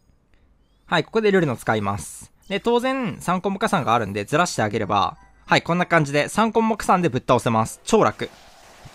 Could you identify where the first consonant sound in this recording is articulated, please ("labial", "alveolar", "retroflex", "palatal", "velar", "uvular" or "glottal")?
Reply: glottal